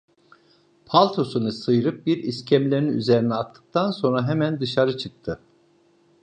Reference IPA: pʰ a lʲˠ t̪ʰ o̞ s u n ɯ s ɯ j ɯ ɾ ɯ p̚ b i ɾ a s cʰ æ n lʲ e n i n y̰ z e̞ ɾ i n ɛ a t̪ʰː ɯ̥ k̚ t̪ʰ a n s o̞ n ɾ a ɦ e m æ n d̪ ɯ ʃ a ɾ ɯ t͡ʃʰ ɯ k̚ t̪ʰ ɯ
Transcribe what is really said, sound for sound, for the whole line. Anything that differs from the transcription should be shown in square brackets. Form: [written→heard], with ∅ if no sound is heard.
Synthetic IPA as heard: pʰ a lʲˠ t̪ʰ o̞ s u n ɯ s ɯ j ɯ ɾ ɯ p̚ b i ɾ [a→i] s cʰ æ [n→m] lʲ e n i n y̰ z e̞ ɾ i n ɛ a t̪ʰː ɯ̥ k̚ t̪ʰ a n s o̞ n ɾ a ɦ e m æ n d̪ ɯ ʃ a ɾ ɯ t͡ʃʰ ɯ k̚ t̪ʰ ɯ